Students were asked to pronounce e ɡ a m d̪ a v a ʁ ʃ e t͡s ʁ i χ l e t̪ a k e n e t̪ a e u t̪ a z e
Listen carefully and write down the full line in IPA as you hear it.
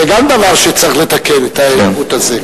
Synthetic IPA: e ɡ a m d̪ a v a ʁ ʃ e t͡s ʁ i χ l e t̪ a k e n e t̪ a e u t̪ a z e